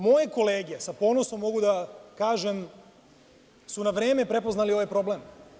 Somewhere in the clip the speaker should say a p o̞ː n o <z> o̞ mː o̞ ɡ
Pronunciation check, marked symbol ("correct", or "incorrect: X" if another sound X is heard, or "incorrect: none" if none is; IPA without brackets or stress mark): incorrect: s